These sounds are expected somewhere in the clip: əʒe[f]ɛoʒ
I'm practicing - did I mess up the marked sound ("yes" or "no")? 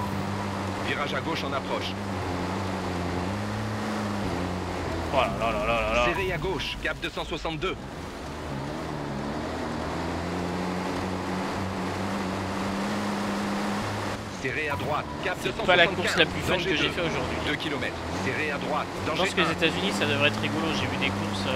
no